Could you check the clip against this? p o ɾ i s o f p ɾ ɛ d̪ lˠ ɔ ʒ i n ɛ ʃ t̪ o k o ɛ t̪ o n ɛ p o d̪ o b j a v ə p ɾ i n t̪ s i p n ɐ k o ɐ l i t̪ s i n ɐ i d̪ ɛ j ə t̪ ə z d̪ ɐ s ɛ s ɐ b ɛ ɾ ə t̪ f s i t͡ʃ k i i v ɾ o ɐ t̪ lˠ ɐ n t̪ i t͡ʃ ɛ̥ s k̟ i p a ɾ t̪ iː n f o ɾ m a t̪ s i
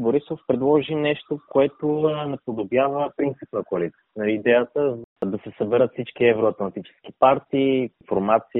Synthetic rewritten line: b o ɾ i s o f p ɾ ɛ d̪ lˠ ɔ ʒ i n ɛ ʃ t̪ o k o ɛ t̪ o n ɛ p o d̪ o b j a v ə p ɾ i n t̪ s i p n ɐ k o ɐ l i t̪ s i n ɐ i d̪ ɛ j ə t̪ ə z d̪ ɐ s ɛ s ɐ b ɛ ɾ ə t̪ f s i t͡ʃ k i ɛ v ɾ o ɐ t̪ lˠ ɐ n t̪ i t͡ʃ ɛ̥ s k̟ i p a ɾ t̪ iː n f o ɾ m a t̪ s i